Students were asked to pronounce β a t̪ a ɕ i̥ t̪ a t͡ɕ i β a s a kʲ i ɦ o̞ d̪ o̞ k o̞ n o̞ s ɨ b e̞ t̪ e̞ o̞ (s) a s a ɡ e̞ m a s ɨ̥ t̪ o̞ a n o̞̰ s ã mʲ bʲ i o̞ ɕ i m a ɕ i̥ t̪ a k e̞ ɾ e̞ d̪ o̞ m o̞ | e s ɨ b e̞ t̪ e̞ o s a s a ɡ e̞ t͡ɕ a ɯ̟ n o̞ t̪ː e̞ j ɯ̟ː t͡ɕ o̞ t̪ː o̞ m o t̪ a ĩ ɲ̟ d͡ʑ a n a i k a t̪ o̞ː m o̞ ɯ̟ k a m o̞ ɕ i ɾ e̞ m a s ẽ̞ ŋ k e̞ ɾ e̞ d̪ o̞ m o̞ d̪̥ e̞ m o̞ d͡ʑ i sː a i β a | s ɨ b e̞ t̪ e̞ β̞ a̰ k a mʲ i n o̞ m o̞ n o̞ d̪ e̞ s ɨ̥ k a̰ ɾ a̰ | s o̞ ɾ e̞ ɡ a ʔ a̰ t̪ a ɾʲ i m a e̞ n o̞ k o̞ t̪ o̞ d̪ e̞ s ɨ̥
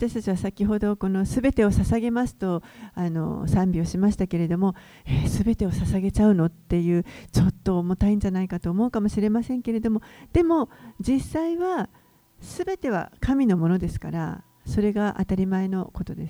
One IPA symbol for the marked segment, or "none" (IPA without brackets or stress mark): s